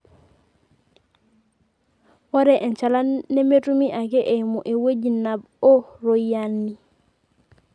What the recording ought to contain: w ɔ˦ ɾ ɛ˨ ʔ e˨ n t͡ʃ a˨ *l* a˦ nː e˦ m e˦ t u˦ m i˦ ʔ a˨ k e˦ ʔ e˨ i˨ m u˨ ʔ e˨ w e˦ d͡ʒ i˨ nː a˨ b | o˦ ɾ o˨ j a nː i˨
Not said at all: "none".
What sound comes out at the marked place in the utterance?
l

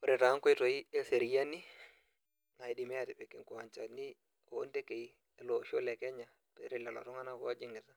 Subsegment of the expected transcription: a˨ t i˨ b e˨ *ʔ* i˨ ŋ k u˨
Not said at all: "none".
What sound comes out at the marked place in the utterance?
k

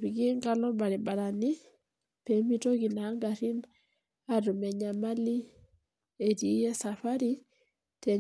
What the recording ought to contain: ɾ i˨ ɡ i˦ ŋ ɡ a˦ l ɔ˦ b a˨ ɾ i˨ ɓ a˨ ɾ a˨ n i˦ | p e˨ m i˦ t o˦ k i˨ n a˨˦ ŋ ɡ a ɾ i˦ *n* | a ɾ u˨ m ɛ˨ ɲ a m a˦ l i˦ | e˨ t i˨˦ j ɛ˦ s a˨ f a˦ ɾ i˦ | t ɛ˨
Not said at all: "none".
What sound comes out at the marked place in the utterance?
n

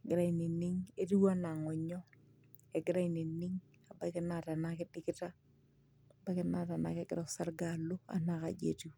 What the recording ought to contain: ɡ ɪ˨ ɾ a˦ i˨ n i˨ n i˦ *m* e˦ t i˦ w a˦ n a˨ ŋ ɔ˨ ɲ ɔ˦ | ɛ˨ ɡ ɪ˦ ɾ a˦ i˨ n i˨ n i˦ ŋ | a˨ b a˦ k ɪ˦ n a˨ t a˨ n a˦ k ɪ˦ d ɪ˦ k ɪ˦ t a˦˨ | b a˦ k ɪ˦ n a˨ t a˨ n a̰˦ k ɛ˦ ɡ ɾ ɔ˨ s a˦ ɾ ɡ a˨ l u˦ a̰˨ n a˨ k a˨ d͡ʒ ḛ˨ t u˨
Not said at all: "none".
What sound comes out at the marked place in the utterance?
ŋ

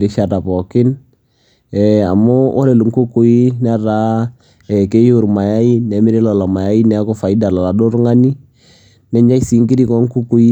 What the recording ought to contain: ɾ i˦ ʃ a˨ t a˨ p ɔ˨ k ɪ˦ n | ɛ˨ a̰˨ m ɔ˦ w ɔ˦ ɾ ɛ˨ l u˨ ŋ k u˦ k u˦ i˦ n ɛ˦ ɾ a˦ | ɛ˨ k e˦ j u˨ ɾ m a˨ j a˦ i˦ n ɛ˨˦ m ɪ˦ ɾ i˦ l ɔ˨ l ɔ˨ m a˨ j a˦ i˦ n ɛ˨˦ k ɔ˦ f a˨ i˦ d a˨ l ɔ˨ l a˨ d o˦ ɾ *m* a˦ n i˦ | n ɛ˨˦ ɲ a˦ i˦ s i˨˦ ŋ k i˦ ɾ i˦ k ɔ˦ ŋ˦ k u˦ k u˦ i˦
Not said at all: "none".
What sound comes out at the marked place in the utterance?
ŋ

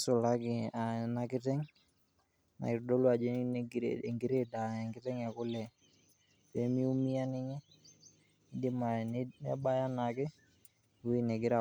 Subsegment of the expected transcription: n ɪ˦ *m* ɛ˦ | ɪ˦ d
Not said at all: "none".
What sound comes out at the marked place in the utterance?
ɲ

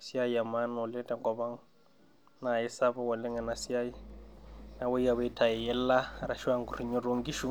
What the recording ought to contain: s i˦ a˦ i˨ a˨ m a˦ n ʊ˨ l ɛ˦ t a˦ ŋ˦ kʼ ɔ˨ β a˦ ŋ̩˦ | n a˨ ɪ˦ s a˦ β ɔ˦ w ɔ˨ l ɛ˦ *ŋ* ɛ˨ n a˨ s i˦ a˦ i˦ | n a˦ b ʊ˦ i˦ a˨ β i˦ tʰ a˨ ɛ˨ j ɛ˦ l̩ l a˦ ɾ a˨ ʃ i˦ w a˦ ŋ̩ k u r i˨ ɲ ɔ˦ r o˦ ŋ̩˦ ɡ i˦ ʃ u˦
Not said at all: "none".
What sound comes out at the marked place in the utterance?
ŋ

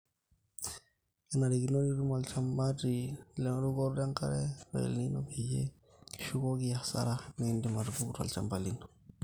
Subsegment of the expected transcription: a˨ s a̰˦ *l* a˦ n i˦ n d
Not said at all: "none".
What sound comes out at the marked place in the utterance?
ɾ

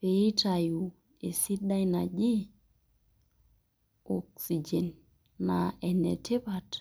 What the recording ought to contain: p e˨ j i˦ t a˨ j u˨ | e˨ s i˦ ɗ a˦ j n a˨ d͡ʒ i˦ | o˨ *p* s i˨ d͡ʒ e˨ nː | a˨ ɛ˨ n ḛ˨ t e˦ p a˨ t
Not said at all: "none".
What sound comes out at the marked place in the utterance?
k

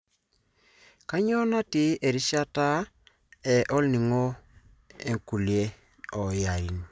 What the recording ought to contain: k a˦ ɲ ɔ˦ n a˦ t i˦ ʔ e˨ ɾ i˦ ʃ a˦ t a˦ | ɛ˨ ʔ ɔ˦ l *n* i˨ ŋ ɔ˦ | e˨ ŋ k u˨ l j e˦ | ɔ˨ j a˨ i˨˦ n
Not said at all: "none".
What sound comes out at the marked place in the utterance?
n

